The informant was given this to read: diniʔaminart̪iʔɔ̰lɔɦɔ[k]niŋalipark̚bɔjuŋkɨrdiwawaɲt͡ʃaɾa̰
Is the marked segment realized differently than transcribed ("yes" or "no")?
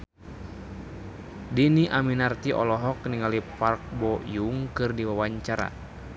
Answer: no